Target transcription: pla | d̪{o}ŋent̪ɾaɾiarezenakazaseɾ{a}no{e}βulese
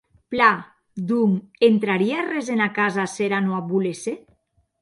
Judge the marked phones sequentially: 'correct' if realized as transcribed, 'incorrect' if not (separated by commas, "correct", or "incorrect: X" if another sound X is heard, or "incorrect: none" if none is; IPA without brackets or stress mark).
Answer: incorrect: u, correct, incorrect: a